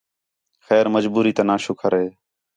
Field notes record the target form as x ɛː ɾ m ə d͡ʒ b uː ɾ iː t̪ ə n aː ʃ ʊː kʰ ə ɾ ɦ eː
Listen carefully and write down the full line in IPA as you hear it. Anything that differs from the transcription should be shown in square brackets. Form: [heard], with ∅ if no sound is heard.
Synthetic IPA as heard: x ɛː ɾ m ə d͡ʒ b uː ɾ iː t̪ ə n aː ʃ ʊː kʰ ə ɾ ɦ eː